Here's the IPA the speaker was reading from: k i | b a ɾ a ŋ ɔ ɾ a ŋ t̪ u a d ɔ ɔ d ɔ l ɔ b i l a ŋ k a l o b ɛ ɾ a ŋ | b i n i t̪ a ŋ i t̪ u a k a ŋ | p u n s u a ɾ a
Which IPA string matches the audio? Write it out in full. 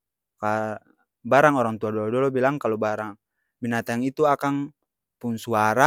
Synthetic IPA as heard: k a | b a ɾ a ŋ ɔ ɾ a ŋ t̪ u a d ɔ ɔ d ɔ l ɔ b i l a ŋ k a l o b a ɾ a ŋ | b i n a t̪ a ŋ i t̪ u a k a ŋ | p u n s u a ɾ a

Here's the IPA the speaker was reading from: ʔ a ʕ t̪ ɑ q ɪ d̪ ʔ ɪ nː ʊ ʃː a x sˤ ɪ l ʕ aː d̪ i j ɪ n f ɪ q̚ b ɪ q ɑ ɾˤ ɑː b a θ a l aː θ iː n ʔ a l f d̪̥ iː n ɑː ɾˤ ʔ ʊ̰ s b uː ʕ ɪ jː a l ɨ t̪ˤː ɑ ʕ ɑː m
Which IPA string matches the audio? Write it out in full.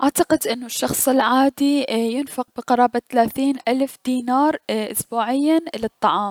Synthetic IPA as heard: ʔ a ʕ t̪ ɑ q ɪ d̪ ʔ ɪ nː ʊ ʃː ɑ x sˤ ɪ l ʕ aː d̪ i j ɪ n f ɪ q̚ b ɪ q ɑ ɾˤ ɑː b a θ a l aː θ iː n ʔ a l f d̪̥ iː n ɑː ɾˤ ʔ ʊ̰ s b uː ʕ ɪ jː a l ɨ t̪ˤː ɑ ʕ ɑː m

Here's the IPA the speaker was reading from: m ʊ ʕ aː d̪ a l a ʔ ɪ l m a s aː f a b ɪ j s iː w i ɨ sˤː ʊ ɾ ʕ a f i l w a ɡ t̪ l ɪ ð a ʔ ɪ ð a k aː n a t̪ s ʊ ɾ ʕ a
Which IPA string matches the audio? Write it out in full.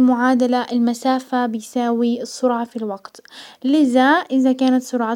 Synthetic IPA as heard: m ʊ ʕ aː d̪ a l a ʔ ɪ l m a s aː f a b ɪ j s aː w i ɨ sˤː ʊ ɾ ʕ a f i l w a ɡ t̪ l ɪ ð a ʔ ɪ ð a k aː n a t̪ s ʊ ɾ ʕ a

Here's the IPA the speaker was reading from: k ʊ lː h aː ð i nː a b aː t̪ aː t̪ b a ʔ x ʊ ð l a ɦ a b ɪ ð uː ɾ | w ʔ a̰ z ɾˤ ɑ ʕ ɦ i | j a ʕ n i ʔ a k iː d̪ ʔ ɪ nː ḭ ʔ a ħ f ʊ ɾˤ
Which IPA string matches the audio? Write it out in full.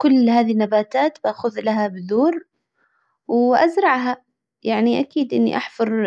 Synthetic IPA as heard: k ʊ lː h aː ð i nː a b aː t̪ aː t̪ b a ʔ x ʊ ð l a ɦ a b ɪ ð uː ɾ | w ʔ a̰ z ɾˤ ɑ ʕ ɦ a | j a ʕ n i ʔ a k iː d̪ ʔ ɪ nː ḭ ʔ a ħ f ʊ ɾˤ

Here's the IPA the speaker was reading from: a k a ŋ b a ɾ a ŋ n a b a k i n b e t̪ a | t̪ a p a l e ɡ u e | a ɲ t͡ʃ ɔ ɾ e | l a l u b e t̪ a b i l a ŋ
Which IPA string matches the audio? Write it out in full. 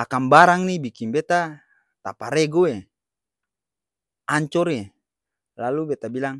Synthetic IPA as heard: a k a m b a ɾ a ŋ n i b i k i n b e t̪ a | t̪ a p a ɾ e ɡ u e | a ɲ t͡ʃ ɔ ɾ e | l a l u b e t̪ a b i l a ŋ

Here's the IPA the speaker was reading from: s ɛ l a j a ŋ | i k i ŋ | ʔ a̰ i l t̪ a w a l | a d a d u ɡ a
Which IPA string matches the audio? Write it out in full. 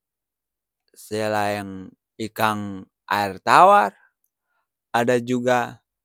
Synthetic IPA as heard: s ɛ l a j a ŋ | i k a ŋ | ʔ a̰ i r t̪ a w a r | a d a d͡ʒ u ɡ a

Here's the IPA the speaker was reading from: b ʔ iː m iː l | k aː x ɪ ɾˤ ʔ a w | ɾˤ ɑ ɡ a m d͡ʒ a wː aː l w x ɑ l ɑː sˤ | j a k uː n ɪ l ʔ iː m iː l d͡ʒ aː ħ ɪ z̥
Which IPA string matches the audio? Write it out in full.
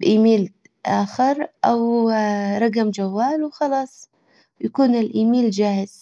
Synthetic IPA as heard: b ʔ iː m iː l | ʔ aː x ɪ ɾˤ ʔ a w | ɾˤ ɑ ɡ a m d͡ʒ a wː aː l w x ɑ l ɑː sˤ | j a k uː n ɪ l ʔ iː m iː l d͡ʒ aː h ɪ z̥

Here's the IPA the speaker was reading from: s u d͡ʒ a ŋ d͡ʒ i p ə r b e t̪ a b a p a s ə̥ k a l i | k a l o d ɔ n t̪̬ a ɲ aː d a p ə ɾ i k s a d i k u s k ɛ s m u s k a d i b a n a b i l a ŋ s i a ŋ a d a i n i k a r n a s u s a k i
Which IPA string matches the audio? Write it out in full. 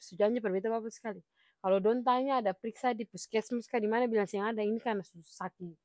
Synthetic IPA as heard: s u d͡ʒ a ɲ d͡ʒ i p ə r b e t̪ a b a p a s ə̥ k a l i | k a l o d ɔ n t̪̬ a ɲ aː d a p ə ɾ i k s a d i p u s k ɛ s m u s k a d i m a n a b i l a ŋ s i a ŋ a d a i n i k a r n a s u s a k i

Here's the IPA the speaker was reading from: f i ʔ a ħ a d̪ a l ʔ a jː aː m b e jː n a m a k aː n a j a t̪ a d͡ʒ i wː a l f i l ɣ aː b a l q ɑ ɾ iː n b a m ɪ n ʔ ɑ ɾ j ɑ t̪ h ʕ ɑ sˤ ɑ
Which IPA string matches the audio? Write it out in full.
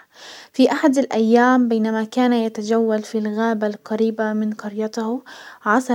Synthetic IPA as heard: f i ʔ a ħ a d̪ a l ʔ a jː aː m b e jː n a m a k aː n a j a t̪ a d͡ʒ a wː a l f i l ɣ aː b a l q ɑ ɾ iː b a m ɪ n q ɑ ɾ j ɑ t̪ h ʕ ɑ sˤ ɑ

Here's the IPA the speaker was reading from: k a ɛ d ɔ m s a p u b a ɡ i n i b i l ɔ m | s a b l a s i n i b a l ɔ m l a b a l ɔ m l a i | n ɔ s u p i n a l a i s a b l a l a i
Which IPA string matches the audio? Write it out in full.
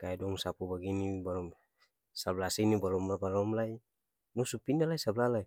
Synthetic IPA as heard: k a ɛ d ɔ ŋ s a p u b a ɡ i n i b a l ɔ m | s a b l a s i n i b a l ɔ m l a b a l ɔ m l a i | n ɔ s u p i n a l a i s a b l a l a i

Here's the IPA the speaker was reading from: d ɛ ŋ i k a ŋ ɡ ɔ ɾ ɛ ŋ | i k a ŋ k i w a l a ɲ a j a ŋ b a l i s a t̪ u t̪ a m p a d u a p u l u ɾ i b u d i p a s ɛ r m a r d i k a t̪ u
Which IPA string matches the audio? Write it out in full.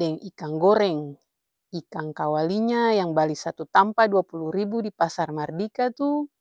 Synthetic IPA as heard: d ɛ ŋ i k a ŋ ɡ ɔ ɾ ɛ ŋ | i k a ŋ k a w a l i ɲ a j a ŋ b a l i s a t̪ u t̪ a m p a d u a p u l u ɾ i b u d i p a s a r m a r d i k a t̪ u

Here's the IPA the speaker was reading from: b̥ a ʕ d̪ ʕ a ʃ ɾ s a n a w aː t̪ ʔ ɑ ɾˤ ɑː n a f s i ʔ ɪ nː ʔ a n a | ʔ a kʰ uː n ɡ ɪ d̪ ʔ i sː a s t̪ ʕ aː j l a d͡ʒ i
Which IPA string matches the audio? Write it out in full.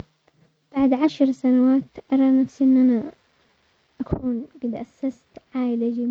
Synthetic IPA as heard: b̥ a ʕ d̪ ʕ a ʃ ɾ s a n a w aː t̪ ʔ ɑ ɾˤ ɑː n a f s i ʔ ɪ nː ʔ a n a | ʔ a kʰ uː n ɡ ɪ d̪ ʔ a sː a s t̪ ʕ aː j l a d͡ʒ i

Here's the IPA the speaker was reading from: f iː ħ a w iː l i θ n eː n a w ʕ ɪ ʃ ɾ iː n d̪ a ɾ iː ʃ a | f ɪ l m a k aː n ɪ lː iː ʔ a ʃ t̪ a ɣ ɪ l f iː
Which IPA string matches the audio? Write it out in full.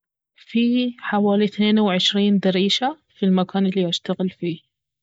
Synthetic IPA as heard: f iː ħ a w aː l i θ n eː n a w ʕ ɪ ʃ ɾ iː n d̪ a ɾ iː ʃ a | f i l m a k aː n ɪ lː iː ʔ a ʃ t̪ a ɣ ɪ l f iː

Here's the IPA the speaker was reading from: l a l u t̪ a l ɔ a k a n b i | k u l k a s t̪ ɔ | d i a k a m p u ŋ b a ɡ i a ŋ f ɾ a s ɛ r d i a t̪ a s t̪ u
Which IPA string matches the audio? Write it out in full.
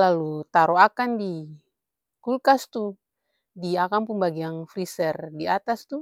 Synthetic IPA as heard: l a l u t̪ a ɾ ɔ a k a n d i | k u l k a s t̪ u | d i a k a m p u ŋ b a ɡ i a ŋ f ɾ i s ɛ r d i a t̪ a s t̪ u

